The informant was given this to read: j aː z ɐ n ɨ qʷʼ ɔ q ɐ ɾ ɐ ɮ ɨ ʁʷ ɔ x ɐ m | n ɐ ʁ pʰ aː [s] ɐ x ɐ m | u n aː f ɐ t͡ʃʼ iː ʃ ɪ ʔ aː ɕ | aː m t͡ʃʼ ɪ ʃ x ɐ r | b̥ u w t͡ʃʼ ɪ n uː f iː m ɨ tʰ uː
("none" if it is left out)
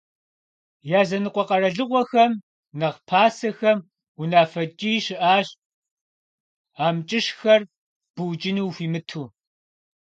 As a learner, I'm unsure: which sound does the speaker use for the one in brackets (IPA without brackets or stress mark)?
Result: s